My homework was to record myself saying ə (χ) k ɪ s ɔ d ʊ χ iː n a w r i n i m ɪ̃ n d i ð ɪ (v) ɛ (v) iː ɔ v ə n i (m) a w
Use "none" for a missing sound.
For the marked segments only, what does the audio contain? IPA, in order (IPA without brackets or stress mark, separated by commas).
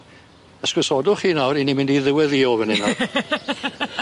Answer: s, w, ð, n